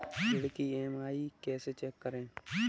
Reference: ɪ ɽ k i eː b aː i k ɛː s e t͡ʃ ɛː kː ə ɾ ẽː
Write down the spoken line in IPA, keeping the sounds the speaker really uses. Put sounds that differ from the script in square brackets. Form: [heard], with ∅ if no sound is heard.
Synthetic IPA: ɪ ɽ k i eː [m] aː i k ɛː s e t͡ʃ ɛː kː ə ɾ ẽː

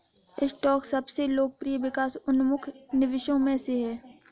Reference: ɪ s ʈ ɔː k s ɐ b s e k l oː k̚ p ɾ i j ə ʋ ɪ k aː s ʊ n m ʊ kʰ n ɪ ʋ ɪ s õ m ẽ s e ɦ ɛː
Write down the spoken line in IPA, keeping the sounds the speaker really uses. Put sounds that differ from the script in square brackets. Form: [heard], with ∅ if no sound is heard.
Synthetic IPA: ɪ s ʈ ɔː k s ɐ b s e [∅] l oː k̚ p ɾ i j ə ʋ ɪ k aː s ʊ n m ʊ kʰ n ɪ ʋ ɪ [ʃ] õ m ẽ s e ɦ ɛː

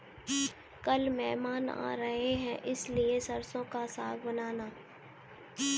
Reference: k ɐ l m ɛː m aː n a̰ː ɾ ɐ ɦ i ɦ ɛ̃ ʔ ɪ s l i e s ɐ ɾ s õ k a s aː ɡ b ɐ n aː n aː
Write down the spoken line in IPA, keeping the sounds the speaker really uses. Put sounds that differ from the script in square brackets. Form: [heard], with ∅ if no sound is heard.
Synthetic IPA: k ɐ l m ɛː m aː n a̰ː ɾ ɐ ɦ [e] ɦ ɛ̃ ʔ ɪ s l i e s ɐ ɾ s õ k a s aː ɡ b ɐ n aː n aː

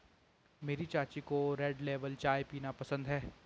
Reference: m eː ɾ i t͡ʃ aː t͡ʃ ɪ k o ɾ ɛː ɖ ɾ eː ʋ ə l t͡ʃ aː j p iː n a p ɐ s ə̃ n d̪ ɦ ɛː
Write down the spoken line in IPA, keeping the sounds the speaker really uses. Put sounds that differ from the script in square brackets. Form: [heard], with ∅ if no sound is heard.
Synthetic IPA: m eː ɾ i t͡ʃ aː t͡ʃ [i] k o ɾ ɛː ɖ [l] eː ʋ ə l t͡ʃ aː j p iː n a p ɐ s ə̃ n d̪ ɦ ɛː

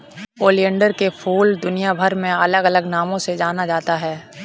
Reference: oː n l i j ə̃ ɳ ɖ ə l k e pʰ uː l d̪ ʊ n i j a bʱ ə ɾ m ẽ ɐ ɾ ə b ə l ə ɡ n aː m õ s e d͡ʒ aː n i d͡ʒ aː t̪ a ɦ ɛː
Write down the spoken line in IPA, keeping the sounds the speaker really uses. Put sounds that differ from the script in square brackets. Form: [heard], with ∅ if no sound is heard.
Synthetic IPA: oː [∅] l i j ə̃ ɳ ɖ ə [ɾ] k e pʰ uː l d̪ ʊ n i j a bʱ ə ɾ m ẽ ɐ [l] ə [ɡ] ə l ə ɡ n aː m õ s e d͡ʒ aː n [a] d͡ʒ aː t̪ a ɦ ɛː

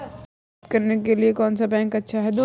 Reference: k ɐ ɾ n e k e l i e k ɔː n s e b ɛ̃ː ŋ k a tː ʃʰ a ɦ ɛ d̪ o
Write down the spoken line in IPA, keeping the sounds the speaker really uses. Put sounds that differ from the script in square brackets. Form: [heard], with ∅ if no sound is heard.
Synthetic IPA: k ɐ ɾ n e k e l i e k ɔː n s [a] b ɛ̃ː ŋ k [ɐ] tː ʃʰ a ɦ ɛ d̪ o

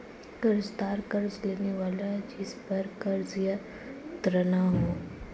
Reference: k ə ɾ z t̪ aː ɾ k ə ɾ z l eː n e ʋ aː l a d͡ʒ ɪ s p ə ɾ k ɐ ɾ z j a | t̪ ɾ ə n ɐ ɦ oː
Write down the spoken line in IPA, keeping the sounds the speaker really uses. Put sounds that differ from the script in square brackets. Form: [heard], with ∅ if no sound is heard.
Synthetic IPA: k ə ɾ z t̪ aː ɾ k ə ɾ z l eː n e ʋ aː l a d͡ʒ ɪ s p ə ɾ k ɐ ɾ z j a | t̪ ɾ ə n [a] ɦ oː

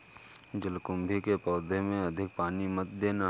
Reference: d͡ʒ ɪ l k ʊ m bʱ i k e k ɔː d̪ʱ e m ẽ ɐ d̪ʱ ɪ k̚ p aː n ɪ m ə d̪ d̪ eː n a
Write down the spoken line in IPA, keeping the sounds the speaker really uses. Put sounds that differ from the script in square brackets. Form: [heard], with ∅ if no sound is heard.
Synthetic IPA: d͡ʒ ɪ l k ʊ m bʱ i k e [p] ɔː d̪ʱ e m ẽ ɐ d̪ʱ ɪ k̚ p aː n [i] m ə [t̪] d̪ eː n a

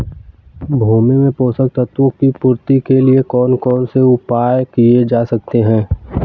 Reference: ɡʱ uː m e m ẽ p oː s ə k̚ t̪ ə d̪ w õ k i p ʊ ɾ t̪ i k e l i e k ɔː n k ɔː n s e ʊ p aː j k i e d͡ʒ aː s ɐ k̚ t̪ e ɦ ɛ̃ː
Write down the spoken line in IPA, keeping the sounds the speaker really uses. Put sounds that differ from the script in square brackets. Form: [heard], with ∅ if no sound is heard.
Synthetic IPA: [bʱ] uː m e m ẽ p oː s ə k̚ t̪ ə [t̪] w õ k i p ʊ ɾ t̪ i k e l i e k ɔː n k ɔː n s e ʊ p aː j k i e d͡ʒ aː s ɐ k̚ t̪ e ɦ ɛ̃ː

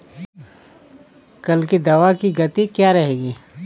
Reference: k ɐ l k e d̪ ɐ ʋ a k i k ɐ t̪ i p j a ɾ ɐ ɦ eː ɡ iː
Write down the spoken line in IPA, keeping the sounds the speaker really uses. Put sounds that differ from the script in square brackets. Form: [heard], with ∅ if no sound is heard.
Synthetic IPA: k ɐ l k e d̪ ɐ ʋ a k i [ɡ] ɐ t̪ i [k] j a ɾ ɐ ɦ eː ɡ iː

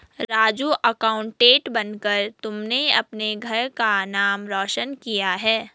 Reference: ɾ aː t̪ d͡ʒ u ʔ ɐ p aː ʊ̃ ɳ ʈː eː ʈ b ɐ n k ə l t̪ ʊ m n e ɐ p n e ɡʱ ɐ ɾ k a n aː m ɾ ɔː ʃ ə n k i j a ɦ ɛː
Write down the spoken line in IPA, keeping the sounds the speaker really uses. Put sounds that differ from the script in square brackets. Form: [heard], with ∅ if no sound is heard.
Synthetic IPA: ɾ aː [∅] d͡ʒ u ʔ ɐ [k] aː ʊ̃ ɳ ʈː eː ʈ b ɐ n k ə [ɾ] t̪ ʊ m n e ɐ p n e ɡʱ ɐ ɾ k a n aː m ɾ ɔː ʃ ə n k i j a ɦ ɛː

